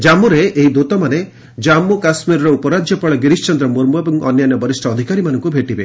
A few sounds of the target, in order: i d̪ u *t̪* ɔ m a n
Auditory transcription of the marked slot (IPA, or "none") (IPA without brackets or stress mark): t̪